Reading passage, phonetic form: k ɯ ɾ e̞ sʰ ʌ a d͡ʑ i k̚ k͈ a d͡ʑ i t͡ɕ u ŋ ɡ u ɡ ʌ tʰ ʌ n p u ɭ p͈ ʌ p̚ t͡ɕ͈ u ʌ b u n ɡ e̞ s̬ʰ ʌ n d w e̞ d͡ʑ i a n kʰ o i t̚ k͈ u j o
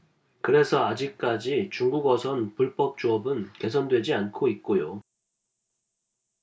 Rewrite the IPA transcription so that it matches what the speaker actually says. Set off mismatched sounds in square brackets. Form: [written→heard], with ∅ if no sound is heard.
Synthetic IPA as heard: k ɯ ɾ e̞ sʰ ʌ a d͡ʑ i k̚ k͈ a d͡ʑ i t͡ɕ u ŋ ɡ u ɡ ʌ [tʰ→sʰ] ʌ n p u ɭ p͈ ʌ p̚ t͡ɕ͈ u ʌ b [u→ɯ] n [ɡ→k] e̞ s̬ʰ ʌ n d w e̞ d͡ʑ i a n kʰ o i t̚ k͈ [u→o] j o